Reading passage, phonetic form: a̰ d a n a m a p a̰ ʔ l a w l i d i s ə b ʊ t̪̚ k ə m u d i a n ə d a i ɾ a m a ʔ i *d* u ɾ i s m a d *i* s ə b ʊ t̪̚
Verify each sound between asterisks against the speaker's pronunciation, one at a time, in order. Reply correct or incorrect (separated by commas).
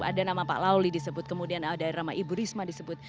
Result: incorrect, correct